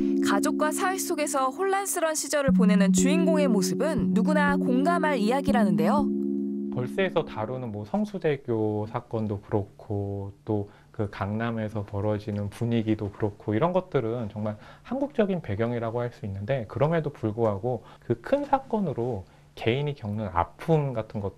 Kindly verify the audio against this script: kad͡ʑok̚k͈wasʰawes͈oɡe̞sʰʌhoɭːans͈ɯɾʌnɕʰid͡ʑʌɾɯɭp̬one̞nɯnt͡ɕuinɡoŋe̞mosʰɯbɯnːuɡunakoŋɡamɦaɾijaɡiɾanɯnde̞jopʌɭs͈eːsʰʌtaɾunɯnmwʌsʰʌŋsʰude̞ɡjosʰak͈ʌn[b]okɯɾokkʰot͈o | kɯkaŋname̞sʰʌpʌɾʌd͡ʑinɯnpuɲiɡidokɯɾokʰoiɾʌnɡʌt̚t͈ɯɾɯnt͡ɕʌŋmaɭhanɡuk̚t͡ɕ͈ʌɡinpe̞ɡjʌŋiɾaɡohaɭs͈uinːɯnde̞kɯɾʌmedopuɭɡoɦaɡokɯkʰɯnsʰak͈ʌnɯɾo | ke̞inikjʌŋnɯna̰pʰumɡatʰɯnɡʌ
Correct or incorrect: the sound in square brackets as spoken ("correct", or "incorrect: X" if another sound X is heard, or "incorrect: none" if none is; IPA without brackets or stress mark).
incorrect: d